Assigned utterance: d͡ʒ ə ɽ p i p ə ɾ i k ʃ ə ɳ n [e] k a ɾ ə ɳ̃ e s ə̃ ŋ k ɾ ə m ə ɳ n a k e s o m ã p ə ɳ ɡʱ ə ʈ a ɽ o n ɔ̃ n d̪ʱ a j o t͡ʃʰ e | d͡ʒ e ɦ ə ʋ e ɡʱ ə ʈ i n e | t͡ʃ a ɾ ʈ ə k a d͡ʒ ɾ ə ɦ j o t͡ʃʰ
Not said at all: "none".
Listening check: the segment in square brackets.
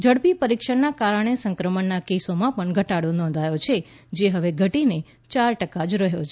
a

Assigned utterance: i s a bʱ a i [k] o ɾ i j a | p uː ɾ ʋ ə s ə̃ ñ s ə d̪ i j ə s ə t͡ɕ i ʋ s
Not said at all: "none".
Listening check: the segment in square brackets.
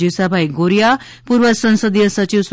ɡ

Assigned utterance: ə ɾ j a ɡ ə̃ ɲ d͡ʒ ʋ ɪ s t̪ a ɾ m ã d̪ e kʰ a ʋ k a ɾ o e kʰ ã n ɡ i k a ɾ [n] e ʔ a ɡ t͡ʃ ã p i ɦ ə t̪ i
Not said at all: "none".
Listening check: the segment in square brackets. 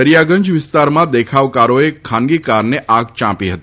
n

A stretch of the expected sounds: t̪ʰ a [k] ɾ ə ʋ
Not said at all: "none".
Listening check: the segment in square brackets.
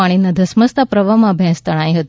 p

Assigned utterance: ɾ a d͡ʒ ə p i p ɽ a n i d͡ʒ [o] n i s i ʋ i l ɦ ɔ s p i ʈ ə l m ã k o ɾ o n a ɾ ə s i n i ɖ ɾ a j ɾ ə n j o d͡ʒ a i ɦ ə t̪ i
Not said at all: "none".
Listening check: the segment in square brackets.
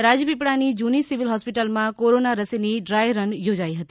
u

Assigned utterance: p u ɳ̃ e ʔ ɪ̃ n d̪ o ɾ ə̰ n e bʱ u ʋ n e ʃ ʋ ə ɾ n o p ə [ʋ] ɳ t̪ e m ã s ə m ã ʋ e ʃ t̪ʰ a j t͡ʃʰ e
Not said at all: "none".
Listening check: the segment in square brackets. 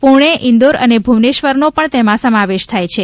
none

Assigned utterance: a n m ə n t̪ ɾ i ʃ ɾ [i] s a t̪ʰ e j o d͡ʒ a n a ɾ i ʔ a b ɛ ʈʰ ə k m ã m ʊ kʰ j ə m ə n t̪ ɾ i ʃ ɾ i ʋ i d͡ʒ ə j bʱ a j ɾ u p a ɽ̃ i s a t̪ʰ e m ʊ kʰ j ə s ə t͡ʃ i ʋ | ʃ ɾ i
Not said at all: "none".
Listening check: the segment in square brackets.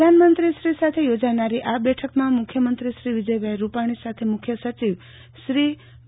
i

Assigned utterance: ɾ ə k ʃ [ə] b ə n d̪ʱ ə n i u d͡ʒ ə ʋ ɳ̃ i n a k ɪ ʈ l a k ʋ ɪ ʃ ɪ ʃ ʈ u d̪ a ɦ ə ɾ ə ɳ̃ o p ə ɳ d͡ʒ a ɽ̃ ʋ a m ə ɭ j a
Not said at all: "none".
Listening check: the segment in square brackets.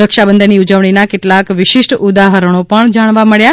a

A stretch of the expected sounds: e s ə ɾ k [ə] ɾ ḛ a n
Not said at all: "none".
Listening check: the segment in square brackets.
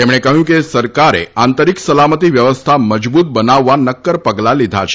a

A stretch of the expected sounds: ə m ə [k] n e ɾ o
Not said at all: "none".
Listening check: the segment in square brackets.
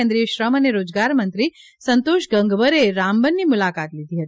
none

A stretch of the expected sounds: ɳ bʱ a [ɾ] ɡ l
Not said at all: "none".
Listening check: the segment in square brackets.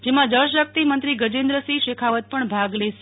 none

